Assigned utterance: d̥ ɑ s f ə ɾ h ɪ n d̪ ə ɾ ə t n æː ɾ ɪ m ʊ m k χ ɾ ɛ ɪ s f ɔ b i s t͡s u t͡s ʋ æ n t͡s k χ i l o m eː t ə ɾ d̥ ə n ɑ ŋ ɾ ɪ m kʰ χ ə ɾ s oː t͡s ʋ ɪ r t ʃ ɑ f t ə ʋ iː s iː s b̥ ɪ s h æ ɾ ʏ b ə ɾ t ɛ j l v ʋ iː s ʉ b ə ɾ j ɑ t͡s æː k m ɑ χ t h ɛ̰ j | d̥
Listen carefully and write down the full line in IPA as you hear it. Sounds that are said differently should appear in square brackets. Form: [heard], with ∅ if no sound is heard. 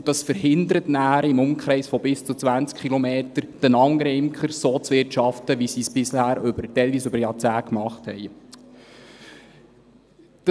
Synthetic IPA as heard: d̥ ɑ s f ə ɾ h ɪ n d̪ ə ɾ ə t n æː ɾ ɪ m ʊ m k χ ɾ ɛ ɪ s f ɔ b [ɪ] s t͡s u t͡s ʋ æ n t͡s k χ i l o m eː t ə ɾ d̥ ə n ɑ ŋ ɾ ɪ m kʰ χ ə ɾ s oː t͡s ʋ ɪ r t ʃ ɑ f t ə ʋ [i] s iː s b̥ ɪ s h [æː] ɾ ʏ b ə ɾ t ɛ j l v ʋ iː s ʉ b ə ɾ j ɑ t͡s æː k m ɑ χ t h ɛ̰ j | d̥